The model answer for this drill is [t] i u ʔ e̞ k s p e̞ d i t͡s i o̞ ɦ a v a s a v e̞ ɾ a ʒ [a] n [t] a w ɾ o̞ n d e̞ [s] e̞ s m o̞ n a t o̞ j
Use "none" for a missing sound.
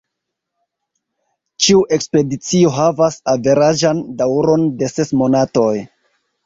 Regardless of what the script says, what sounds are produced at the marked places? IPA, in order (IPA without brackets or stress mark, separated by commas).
t͡ʃ, a, d, s